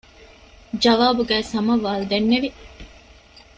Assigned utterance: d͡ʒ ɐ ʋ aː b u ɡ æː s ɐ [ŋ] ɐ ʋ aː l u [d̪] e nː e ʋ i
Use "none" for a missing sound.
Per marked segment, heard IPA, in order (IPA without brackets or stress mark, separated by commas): m, d̪